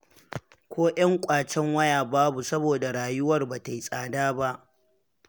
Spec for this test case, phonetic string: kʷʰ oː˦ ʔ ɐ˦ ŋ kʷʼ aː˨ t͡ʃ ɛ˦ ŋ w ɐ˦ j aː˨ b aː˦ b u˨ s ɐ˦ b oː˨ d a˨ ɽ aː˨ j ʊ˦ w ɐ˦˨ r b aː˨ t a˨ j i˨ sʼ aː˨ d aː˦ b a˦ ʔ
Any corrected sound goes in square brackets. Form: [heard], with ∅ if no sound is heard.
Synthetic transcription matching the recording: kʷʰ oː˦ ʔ ɐ˦ ŋ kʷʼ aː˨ t͡ʃ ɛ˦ ŋ w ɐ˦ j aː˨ b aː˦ b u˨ s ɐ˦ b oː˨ d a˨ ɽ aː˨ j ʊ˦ w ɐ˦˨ r b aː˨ t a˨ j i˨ sʼ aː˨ d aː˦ b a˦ ʔ